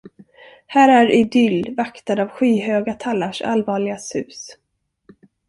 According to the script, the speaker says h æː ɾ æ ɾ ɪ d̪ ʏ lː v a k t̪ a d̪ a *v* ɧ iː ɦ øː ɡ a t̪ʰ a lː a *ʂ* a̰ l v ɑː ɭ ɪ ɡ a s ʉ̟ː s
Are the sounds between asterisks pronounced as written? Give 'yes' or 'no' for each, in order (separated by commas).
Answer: yes, yes